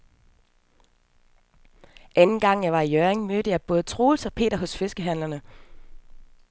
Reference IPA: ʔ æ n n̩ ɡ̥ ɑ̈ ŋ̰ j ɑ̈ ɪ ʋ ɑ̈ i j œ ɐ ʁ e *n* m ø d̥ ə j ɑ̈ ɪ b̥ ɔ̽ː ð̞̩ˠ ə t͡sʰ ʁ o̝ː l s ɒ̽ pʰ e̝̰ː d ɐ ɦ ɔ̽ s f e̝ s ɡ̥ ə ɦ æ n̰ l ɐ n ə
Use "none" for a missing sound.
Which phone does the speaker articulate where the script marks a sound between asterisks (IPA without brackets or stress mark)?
ŋ